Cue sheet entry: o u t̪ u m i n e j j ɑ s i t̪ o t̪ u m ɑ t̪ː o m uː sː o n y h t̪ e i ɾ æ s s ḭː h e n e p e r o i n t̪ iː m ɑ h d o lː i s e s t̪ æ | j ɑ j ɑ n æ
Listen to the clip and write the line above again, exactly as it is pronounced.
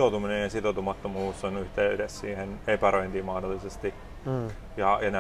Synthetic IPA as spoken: o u t̪ u m i n e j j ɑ s i t̪ o t̪ u m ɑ t̪ː o m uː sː o n y h t̪ e y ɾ e s s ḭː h e n e p æ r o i n t̪ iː m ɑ h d o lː i s e s t̪ i | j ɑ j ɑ n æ